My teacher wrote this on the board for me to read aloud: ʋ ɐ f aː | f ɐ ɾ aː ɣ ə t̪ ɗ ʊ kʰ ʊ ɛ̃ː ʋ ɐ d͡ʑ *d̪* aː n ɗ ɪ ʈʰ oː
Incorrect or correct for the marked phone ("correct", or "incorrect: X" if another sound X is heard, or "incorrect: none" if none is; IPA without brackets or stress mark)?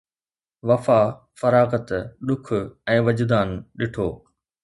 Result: correct